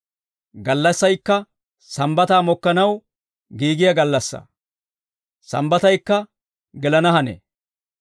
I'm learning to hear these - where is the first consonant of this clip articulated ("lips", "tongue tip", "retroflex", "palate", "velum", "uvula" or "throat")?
velum